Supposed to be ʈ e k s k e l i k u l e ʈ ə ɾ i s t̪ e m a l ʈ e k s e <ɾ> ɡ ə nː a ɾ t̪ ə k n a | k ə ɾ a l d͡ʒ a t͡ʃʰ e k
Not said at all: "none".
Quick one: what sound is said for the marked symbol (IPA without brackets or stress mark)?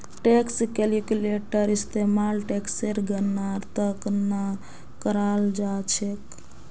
ɾ